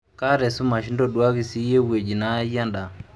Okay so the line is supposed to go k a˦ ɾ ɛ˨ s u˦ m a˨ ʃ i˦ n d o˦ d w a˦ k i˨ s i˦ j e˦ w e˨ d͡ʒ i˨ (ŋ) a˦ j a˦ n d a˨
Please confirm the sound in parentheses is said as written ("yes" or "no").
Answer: no